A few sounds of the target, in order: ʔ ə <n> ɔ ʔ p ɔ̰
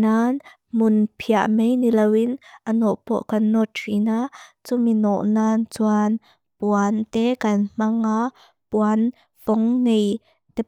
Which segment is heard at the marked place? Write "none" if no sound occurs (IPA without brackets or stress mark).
n